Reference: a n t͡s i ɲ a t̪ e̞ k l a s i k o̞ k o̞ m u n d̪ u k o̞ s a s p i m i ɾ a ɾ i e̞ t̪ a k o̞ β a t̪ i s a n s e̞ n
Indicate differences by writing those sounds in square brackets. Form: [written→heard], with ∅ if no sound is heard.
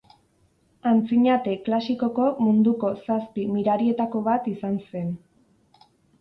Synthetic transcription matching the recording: a n t͡s i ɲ a t̪ e̞ k l a s i k o̞ k o̞ m u n d̪ u k o̞ s a s p i m i ɾ a ɾ i e̞ t̪ a k o̞ β a t̪ i s a n s e̞ n